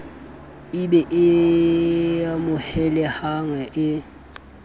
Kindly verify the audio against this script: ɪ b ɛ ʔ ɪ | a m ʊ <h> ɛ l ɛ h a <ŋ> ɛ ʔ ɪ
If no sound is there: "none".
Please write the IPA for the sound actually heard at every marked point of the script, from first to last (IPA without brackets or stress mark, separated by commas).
h, ŋ